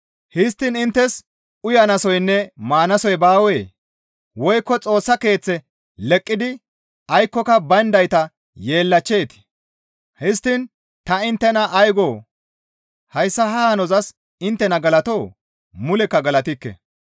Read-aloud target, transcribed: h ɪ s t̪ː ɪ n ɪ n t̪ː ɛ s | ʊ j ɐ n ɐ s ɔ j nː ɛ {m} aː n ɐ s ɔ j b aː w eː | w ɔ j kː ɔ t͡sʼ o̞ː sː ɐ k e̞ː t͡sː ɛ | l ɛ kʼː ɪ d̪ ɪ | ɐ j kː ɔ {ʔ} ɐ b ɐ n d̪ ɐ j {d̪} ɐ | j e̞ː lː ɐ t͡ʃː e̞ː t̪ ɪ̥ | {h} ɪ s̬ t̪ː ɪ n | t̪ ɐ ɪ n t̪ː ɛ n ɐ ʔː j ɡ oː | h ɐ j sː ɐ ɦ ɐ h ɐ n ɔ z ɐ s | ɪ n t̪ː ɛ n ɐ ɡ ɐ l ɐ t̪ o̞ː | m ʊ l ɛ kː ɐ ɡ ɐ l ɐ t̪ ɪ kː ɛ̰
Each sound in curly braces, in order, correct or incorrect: correct, incorrect: k, incorrect: t̪, correct

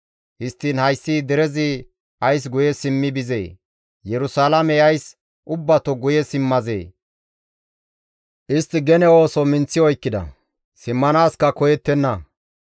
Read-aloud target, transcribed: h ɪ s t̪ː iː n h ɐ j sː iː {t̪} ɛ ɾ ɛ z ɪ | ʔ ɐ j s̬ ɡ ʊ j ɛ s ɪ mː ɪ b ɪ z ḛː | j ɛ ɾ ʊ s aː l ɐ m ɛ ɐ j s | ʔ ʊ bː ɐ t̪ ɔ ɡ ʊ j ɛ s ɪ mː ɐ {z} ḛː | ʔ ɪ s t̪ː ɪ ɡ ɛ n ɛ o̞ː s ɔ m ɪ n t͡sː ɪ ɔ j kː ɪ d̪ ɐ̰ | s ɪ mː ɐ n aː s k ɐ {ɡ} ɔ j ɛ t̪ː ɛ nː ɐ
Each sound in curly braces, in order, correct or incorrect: incorrect: d̪, correct, incorrect: k

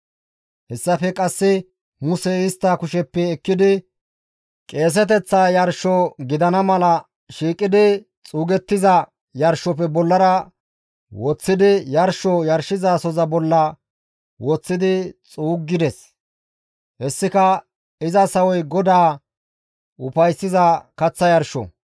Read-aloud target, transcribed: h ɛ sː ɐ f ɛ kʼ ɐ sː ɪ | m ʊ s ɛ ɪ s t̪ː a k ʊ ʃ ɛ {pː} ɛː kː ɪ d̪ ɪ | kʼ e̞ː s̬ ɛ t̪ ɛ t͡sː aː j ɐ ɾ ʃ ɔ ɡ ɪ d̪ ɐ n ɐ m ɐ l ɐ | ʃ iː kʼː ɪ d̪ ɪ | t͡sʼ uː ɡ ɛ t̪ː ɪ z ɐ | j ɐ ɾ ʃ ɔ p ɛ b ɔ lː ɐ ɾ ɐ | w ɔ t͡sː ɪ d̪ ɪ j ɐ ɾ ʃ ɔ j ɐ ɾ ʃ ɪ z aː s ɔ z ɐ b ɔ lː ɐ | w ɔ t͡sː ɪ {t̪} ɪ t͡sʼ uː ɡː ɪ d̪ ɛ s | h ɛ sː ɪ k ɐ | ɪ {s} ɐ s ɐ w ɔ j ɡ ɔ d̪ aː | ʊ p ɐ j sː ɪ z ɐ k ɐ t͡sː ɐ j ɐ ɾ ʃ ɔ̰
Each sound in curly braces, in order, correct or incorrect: correct, incorrect: d̪, incorrect: z

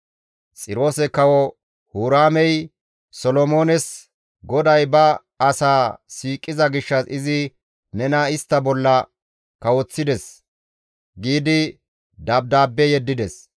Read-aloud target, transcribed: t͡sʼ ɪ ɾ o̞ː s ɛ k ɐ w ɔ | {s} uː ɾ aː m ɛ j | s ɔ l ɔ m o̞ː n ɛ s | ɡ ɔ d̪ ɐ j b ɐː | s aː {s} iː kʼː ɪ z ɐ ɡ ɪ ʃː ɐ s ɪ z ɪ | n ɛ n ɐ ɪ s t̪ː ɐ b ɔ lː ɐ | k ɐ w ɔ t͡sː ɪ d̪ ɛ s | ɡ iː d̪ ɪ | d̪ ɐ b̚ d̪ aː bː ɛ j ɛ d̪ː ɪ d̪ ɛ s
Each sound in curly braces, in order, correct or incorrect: incorrect: h, correct

